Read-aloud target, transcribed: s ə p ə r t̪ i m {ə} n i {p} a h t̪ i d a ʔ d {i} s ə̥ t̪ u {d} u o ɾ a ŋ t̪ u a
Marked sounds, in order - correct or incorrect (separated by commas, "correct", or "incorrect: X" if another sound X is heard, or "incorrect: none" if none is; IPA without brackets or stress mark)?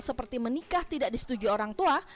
correct, incorrect: k, correct, incorrect: d͡ʒ